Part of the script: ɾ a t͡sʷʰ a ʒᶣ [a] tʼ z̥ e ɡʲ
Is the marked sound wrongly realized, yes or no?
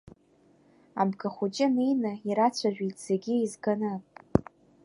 yes